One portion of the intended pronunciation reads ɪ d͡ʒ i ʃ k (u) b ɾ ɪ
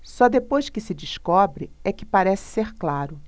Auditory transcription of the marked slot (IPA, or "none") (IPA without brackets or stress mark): ɔ